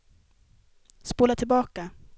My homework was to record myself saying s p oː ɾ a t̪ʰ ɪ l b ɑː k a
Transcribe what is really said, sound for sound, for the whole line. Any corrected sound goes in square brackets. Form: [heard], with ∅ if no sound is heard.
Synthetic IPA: s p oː [l] a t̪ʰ ɪ l b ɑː k a